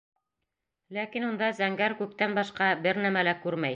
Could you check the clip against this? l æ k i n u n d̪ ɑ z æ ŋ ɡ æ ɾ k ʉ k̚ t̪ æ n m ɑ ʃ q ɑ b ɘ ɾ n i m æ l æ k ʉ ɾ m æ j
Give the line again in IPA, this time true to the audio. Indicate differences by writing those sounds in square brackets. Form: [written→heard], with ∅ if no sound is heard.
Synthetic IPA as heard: l æ k i n u n d̪ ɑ z æ ŋ ɡ æ ɾ k ʉ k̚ t̪ æ n [m→b] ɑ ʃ q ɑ b ɘ ɾ n [i→æ] m æ l æ k ʉ ɾ m æ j